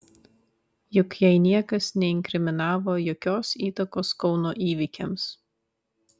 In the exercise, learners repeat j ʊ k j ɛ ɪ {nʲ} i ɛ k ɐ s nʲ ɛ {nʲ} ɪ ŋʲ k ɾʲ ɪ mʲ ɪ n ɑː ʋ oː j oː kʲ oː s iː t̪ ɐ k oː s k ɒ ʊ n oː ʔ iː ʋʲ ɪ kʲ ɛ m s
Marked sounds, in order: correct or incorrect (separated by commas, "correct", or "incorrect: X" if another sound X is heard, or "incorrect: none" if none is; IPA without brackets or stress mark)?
correct, incorrect: none